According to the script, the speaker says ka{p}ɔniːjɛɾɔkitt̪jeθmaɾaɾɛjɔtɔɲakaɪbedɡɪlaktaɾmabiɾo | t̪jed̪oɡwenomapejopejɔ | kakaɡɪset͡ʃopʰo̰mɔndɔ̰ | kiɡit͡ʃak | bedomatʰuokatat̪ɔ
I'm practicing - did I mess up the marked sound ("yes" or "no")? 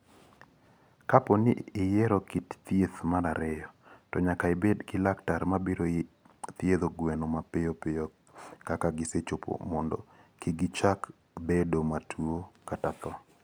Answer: no